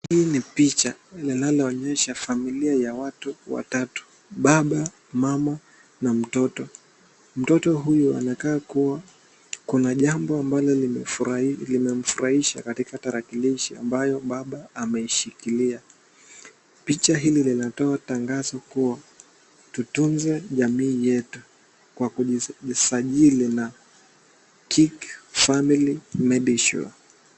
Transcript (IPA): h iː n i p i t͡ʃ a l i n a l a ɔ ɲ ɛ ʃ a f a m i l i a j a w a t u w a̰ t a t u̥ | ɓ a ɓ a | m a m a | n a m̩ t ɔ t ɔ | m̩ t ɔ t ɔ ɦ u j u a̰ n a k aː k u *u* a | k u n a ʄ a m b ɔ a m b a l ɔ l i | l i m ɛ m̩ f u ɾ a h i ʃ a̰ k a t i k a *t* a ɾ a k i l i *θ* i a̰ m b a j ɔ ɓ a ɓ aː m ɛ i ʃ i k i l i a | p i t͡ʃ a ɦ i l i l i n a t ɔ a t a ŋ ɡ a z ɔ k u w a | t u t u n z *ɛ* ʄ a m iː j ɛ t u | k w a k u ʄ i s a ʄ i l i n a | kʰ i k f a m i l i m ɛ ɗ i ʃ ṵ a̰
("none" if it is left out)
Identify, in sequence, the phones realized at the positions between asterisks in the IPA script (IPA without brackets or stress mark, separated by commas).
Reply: w, t, ʃ, ɛ